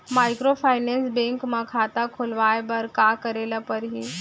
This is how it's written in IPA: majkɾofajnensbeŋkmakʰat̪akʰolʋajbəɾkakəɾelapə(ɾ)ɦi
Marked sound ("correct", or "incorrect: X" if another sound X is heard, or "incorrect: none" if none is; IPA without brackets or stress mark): correct